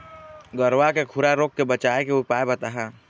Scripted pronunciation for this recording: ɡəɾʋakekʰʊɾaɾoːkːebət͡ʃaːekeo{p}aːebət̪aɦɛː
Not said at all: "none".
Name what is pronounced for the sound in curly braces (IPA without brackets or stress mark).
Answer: p